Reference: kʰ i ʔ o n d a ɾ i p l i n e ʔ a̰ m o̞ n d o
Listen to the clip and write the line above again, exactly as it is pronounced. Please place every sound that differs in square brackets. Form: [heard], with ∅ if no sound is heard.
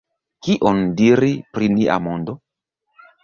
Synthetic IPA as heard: [k] i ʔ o n d [i] ɾ i p [ɾ] i n [i] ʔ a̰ m o̞ n d o